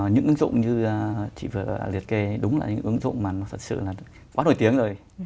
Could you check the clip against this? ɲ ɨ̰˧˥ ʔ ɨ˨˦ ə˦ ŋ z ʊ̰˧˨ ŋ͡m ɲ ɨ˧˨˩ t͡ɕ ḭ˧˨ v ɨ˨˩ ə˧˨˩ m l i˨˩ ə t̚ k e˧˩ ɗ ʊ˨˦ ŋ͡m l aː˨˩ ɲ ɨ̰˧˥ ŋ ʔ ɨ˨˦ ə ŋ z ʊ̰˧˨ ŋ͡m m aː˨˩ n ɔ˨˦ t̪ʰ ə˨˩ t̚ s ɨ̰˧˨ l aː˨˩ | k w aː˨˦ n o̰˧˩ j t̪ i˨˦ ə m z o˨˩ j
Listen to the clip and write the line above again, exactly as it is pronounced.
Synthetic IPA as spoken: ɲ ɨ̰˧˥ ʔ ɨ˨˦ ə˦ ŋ z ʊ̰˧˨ ŋ͡m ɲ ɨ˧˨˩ t͡ɕ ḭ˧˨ v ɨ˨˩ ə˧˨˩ l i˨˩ ə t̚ k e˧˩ ɗ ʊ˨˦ ŋ͡m l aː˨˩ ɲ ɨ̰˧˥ ŋ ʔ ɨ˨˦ ə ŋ z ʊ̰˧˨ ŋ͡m m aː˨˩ n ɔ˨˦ t̪ʰ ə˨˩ t̚ s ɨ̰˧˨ l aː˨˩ | k w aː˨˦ n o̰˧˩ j t̪ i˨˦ ə ŋ z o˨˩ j